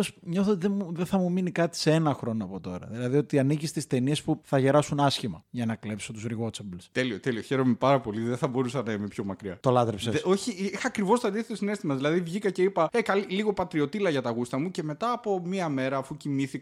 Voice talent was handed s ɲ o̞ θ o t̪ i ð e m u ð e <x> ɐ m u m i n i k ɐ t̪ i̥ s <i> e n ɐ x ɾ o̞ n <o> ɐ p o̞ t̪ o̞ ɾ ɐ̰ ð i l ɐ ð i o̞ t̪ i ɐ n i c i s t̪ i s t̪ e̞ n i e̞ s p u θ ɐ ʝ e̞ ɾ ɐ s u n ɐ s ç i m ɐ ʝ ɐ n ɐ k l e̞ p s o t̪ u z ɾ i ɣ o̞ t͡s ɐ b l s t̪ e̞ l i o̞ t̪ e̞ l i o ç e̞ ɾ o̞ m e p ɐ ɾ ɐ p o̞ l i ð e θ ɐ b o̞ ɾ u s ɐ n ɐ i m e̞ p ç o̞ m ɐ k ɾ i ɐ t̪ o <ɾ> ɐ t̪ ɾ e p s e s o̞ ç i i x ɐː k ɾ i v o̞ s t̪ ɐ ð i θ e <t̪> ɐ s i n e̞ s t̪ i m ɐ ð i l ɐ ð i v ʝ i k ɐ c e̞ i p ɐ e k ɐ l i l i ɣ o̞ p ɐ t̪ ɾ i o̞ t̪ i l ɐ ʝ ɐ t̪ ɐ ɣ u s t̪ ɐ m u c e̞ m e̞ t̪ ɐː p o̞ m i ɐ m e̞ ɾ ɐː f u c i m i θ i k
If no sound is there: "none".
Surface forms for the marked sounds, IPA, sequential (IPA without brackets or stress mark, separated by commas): θ, e, o, l, t̪